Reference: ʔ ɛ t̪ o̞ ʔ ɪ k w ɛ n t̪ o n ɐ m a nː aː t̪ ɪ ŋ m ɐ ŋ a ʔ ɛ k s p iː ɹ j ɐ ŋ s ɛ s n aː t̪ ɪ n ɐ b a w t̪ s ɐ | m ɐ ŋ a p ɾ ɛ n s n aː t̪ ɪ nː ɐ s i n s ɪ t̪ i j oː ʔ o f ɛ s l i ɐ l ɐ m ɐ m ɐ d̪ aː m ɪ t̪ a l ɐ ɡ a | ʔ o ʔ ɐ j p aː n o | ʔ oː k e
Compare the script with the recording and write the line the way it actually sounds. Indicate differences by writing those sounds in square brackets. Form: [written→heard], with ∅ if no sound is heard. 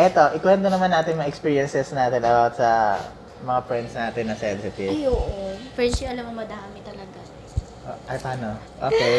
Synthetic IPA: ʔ ɛ t̪ o̞ ʔ ɪ k w ɛ n t̪ o n ɐ m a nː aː t̪ ɪ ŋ m ɐ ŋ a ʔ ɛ k s p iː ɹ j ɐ [ŋ→n] s ɛ s n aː t̪ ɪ n ɐ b a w t̪ s ɐ | m ɐ ŋ a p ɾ ɛ n s n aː t̪ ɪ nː ɐ s [i→ɛ] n s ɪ t̪ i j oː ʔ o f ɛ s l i ɐ l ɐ m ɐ m ɐ d̪ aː m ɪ t̪ [a→ɐ] l ɐ ɡ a | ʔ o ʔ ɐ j p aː n o | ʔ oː k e